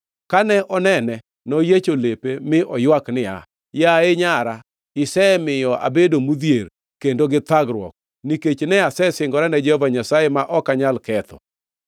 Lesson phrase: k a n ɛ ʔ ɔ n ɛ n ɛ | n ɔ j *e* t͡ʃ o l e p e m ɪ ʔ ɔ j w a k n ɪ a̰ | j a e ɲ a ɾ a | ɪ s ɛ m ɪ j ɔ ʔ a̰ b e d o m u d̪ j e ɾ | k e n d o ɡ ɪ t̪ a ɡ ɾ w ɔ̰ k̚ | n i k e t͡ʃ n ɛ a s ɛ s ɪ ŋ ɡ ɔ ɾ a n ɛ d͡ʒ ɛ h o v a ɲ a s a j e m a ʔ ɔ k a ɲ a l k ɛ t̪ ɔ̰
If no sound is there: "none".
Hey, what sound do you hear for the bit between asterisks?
e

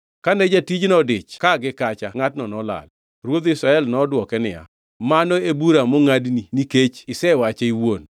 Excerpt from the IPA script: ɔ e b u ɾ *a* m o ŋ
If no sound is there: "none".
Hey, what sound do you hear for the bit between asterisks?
a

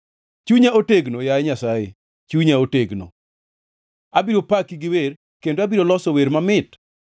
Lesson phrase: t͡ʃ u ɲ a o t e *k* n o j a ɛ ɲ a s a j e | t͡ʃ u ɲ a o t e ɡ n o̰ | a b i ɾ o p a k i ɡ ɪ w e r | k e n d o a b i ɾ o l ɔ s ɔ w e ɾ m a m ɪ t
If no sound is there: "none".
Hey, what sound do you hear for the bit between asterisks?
ɡ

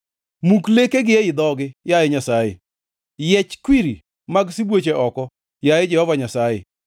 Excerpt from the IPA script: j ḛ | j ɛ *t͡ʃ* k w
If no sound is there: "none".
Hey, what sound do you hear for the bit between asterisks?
t͡ʃ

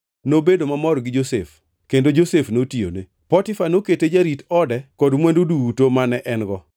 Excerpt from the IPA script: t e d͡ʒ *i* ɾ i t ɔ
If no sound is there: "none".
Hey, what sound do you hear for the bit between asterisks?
a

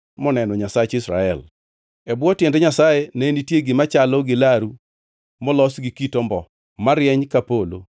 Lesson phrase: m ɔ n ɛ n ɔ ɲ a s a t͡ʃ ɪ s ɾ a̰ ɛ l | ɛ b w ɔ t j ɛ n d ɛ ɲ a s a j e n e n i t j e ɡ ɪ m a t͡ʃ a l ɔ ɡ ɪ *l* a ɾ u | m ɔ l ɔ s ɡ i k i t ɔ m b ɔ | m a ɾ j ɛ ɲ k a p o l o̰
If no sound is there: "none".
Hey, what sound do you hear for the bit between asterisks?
l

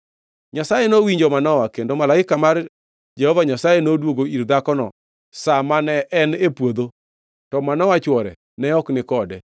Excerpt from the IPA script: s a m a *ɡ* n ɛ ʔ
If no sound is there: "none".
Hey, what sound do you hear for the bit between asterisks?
none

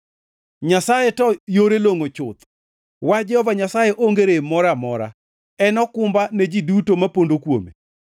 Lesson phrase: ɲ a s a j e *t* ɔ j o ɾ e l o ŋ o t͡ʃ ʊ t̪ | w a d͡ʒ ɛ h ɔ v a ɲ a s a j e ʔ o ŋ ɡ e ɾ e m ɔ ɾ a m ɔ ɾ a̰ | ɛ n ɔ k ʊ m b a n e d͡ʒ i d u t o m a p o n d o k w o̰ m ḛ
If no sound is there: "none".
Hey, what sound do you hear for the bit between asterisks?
t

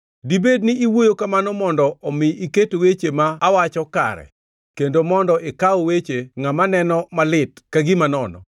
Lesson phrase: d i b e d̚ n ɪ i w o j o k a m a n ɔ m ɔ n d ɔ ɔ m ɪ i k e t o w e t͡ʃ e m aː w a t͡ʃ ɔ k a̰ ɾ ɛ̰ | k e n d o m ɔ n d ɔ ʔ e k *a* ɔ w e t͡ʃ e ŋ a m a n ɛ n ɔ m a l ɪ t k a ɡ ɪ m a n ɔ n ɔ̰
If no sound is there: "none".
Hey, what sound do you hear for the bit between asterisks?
a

